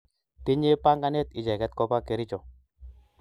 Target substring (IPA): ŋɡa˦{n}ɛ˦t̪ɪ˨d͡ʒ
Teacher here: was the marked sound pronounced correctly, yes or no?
yes